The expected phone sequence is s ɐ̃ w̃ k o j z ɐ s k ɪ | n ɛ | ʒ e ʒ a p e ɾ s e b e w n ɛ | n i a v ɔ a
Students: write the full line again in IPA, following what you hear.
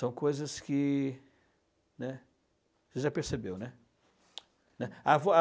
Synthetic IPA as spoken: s ɐ̃ w̃ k o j z ɐ s k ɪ | n ɛ | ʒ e ʒ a p e ɾ s e b e w n ɛ | n ɛ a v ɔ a